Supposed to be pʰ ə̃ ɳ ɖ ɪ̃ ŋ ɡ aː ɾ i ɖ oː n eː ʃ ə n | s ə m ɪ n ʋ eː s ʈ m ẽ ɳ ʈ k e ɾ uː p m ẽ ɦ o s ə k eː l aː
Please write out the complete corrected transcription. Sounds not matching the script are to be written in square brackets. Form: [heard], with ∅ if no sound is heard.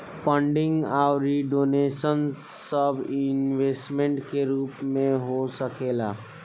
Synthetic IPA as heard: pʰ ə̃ ɳ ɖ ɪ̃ ŋ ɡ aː ɾ i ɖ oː n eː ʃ ə n | s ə [b] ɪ n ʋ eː s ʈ m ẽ ɳ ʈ k e ɾ uː p m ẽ ɦ o s ə k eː l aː